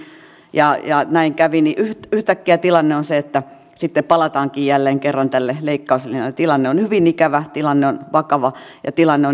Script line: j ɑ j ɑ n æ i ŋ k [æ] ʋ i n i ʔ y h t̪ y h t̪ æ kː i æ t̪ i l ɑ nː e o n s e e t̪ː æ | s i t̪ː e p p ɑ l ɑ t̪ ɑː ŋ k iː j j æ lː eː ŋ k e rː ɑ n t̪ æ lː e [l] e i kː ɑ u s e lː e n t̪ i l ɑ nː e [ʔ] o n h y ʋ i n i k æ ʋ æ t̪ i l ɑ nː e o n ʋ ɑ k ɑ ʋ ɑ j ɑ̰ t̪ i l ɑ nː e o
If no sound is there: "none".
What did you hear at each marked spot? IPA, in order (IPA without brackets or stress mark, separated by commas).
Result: æ, l, none